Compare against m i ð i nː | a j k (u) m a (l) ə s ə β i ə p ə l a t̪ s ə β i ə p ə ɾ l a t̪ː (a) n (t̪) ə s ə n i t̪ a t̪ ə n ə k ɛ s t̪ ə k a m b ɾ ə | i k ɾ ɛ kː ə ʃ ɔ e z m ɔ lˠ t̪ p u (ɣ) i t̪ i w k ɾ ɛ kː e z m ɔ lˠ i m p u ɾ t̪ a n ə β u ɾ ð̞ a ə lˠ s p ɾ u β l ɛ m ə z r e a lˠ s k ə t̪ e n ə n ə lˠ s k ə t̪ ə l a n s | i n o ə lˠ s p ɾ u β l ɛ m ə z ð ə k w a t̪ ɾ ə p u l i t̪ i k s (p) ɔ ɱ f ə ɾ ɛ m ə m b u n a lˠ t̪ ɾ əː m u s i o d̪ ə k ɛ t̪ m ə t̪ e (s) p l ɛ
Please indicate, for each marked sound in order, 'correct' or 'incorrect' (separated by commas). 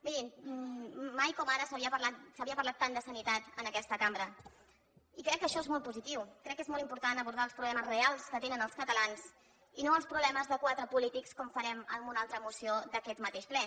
incorrect, incorrect, correct, incorrect, incorrect, incorrect, incorrect